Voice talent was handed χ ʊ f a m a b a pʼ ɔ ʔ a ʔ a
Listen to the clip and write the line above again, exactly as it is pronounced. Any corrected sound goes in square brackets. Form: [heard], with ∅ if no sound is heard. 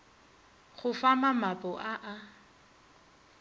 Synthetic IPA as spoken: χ ʊ f a m a [m] a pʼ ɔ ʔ a ʔ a